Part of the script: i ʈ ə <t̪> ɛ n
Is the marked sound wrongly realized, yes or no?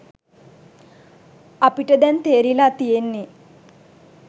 yes